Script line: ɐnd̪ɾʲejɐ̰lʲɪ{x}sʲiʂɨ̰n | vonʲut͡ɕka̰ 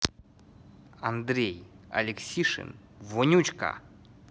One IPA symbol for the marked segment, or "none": k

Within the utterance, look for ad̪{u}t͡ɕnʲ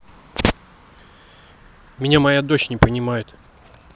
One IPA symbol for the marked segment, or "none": o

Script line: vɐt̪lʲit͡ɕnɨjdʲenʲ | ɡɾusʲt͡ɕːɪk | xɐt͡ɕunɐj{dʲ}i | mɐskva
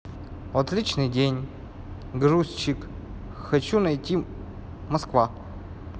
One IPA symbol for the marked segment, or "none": tʲ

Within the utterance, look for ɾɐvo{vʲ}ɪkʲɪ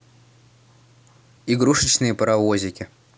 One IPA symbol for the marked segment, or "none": zʲ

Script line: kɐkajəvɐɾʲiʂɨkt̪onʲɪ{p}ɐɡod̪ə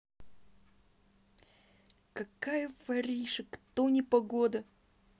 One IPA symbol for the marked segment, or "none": p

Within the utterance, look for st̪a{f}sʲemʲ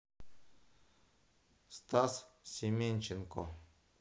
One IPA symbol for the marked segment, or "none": s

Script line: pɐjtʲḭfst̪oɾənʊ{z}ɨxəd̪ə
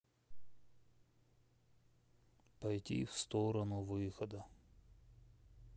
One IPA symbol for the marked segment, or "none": v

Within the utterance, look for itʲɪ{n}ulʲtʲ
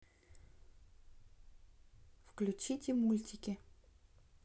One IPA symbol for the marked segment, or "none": m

